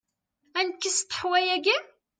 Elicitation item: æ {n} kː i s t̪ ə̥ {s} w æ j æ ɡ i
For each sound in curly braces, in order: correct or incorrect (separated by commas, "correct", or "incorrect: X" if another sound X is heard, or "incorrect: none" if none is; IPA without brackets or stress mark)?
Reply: correct, incorrect: ħ